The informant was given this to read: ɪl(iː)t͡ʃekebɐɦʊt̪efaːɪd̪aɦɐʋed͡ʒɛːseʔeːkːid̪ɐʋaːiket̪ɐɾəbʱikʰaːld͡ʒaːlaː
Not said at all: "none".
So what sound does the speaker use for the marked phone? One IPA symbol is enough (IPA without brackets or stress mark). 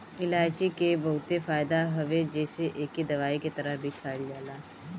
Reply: aː